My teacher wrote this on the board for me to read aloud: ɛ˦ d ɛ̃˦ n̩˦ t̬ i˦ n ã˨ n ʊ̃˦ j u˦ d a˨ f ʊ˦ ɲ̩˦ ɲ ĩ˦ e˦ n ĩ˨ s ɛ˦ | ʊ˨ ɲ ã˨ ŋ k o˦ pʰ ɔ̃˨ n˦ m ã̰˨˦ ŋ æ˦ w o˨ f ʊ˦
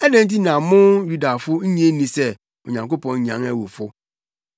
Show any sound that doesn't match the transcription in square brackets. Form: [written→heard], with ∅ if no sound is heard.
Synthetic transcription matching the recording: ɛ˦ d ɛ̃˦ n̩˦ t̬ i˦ n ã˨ [n→m] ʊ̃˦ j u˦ d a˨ f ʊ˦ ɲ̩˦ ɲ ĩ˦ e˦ n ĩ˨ s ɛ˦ | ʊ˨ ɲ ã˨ ŋ k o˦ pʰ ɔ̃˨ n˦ [m→ɲ] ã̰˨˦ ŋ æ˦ w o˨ f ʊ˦